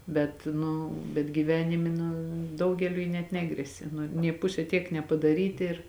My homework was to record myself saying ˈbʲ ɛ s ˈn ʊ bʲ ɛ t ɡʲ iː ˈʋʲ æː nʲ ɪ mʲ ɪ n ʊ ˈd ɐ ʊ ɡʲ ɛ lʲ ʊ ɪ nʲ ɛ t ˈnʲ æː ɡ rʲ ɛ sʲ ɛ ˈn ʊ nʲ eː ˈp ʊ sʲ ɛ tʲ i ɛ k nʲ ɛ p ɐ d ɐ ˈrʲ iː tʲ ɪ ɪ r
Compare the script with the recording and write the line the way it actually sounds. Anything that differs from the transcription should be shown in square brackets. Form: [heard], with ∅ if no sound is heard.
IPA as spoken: ˈbʲ ɛ [t] ˈn ʊ bʲ ɛ t ɡʲ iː ˈʋʲ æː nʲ ɪ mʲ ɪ n ʊ ˈd ɐ ʊ ɡʲ ɛ lʲ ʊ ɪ nʲ ɛ t ˈnʲ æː ɡ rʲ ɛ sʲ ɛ ˈn ʊ nʲ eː ˈp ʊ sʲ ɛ tʲ i ɛ k nʲ ɛ p ɐ d ɐ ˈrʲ iː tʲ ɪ ɪ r

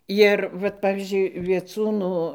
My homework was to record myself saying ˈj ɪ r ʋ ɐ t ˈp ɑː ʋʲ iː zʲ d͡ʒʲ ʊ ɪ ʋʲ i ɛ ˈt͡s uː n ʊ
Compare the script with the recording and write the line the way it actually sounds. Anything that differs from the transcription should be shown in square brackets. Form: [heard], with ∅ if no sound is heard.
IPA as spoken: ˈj ɪ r ʋ ɐ t ˈp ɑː ʋʲ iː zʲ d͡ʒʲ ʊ ɪ ʋʲ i ɛ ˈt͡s uː n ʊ

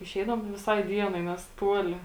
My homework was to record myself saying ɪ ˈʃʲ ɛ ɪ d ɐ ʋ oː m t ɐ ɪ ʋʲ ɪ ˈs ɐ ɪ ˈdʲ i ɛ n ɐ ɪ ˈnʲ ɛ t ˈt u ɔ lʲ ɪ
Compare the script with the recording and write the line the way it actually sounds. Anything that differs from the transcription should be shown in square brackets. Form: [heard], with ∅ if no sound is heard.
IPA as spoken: ɪ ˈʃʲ ɛ ɪ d ɐ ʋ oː m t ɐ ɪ ʋʲ ɪ ˈs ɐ ɪ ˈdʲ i ɛ n ɐ ɪ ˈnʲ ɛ [s] ˈt u ɔ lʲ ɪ

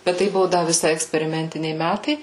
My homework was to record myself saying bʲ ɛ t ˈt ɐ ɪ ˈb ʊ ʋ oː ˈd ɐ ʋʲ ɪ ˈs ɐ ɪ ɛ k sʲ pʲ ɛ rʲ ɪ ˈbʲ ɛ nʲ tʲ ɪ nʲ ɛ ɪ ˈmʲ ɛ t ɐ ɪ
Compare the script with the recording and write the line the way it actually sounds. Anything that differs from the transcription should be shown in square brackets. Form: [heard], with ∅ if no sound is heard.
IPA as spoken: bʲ ɛ t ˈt ɐ ɪ ˈb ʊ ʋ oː ˈd ɐ ʋʲ ɪ ˈs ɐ ɪ ɛ k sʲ pʲ ɛ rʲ ɪ [ˈmʲ] ɛ nʲ tʲ ɪ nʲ ɛ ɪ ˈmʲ [æ] t ɐ ɪ

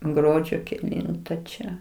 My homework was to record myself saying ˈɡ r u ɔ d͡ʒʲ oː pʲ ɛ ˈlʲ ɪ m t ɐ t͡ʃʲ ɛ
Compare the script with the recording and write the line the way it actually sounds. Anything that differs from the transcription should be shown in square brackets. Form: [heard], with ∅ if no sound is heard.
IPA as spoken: ˈɡ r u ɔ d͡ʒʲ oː [kʲ] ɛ ˈlʲ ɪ [n] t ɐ t͡ʃʲ ɛ

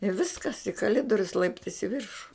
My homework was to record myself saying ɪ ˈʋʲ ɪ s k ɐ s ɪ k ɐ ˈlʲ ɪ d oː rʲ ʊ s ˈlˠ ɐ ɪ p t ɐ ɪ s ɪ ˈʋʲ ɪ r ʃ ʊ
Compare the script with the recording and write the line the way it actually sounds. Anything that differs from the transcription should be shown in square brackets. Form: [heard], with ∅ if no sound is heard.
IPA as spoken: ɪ ˈʋʲ ɪ s k ɐ s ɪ k ɐ ˈlʲ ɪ d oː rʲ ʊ s ˈlˠ ɐ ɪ p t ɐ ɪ s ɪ ˈʋʲ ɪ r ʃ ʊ

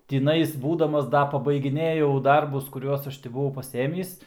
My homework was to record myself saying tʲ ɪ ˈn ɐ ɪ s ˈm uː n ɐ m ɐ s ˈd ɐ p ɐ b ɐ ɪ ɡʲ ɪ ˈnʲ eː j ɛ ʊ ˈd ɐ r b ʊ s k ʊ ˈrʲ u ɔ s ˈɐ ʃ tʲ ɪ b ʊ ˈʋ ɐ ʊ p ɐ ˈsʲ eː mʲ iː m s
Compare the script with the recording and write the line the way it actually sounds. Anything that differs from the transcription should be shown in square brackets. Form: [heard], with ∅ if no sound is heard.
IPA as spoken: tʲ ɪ ˈn ɐ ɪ s [ˈb] uː [d] ɐ m ɐ s ˈd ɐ p ɐ b ɐ ɪ ɡʲ ɪ ˈnʲ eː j ɛ ʊ ˈd ɐ r b ʊ s k ʊ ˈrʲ u ɔ s ˈɐ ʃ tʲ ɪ b ʊ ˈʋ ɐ ʊ p ɐ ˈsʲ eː mʲ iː [∅] s

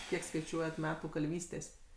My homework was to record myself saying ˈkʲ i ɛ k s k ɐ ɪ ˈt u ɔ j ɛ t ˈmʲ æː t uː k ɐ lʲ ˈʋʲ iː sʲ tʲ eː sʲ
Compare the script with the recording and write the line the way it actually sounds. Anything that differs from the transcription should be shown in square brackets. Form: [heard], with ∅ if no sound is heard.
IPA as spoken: ˈkʲ i ɛ k s k ɐ ɪ [ˈt͡ʃʲ] u ɔ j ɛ t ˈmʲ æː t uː k ɐ lʲ ˈʋʲ iː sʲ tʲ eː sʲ

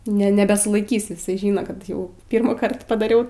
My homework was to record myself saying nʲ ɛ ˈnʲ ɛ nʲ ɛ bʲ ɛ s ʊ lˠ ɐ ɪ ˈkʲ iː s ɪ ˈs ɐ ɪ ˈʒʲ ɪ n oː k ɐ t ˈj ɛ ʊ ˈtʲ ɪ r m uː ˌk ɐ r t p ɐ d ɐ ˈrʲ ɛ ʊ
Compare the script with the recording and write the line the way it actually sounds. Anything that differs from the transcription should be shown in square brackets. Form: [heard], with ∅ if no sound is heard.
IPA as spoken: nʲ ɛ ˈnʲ ɛ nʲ ɛ bʲ ɛ s ʊ lˠ ɐ ɪ ˈkʲ iː s ɪ ˈs ɐ ɪ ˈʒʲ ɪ n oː k ɐ t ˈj ɛ ʊ [ˈpʲ] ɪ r m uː ˌk ɐ r t p ɐ d ɐ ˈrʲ ɛ ʊ

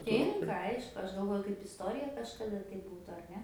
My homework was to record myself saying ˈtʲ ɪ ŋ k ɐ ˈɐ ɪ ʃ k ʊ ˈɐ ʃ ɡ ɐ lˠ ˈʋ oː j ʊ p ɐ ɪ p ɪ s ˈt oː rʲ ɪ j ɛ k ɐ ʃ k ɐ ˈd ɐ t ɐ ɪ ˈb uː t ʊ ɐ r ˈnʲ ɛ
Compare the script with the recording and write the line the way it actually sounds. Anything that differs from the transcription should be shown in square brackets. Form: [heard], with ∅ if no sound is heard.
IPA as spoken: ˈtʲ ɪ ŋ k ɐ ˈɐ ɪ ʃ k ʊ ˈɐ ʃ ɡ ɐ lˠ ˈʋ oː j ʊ [k] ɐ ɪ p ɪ s ˈt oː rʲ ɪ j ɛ k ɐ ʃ k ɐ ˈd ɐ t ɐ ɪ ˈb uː t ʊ ɐ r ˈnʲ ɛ

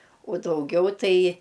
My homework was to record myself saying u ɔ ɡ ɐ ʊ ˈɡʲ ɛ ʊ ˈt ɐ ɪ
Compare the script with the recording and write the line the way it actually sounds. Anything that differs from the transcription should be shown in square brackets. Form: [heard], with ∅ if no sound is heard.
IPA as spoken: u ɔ [d] ɐ ʊ ˈɡʲ ɛ ʊ ˈt ɐ ɪ

